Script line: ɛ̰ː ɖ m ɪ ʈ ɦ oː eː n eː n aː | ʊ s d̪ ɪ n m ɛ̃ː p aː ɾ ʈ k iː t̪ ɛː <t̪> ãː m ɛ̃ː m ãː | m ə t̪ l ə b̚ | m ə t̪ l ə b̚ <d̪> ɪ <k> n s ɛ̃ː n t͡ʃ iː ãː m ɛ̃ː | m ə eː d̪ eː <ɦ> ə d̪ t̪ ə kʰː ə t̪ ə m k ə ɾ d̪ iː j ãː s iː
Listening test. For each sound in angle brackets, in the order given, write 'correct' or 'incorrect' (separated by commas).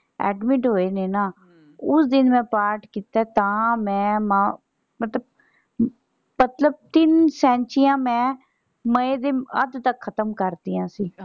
correct, incorrect, incorrect, incorrect